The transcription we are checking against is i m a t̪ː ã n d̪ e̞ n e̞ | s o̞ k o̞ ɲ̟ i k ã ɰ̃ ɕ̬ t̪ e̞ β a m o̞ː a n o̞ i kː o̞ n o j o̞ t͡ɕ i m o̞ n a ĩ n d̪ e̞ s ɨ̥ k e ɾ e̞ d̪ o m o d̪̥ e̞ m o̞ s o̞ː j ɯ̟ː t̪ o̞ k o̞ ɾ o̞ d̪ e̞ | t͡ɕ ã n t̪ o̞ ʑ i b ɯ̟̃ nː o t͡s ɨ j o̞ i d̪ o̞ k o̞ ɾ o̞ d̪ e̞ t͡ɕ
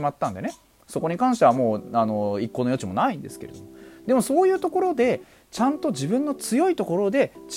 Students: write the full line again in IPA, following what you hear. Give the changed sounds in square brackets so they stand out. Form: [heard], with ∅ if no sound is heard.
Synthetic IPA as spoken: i m a t̪ː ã n d̪ e̞ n e̞ | s o̞ k o̞ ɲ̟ i k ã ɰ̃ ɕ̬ t̪ e̞ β a m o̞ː a n o̞ i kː o̞ n o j o̞ t͡ɕ i m o̞ n a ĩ n d̪ e̞ s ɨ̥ k e ɾ e̞ d̪ o m o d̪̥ e̞ m o̞ s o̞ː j ɯ̟ː t̪ o̞ k o̞ ɾ o̞ d̪ e̞ | t͡ɕ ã n t̪ o̞ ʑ i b ɯ̟̃ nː o t͡s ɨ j o̞ i [t̪] o̞ k o̞ ɾ o̞ d̪ e̞ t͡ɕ